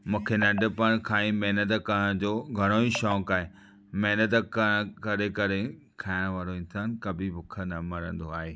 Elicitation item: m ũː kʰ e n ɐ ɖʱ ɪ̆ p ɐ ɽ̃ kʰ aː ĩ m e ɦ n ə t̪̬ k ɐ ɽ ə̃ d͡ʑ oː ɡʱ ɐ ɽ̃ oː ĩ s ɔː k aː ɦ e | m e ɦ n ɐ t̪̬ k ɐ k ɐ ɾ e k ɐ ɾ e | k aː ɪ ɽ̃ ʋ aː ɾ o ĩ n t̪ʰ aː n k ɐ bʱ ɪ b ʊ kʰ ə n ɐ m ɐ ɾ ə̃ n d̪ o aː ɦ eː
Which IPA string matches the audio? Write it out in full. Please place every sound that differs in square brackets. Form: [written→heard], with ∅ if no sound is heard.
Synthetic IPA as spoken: m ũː kʰ e n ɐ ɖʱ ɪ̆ p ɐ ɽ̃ kʰ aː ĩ m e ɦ n ə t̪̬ k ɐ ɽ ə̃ d͡ʑ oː ɡʱ ɐ ɽ̃ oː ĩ [s→ʃ] ɔː k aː ɦ e | m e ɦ n [ɐ→ə] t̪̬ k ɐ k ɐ ɾ e k ɐ ɾ e | [k→kʰ] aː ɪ ɽ̃ ʋ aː ɾ o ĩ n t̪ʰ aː n k ɐ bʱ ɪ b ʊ kʰ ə n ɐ m ɐ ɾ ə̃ n d̪ o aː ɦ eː